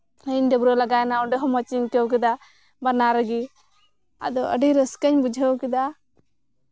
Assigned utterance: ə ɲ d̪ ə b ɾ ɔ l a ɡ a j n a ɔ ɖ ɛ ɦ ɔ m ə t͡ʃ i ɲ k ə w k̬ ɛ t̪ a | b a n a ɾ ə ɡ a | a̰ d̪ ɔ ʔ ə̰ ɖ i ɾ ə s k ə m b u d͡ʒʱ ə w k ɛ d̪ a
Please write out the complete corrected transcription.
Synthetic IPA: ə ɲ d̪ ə b ɾ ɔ l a ɡ a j n a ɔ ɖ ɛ ɦ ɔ m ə t͡ʃ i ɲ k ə w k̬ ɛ d̪ a | b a n a ɾ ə ɡ i | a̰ d̪ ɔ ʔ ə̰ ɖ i ɾ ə s k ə ɲ b u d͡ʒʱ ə w k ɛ d̪ a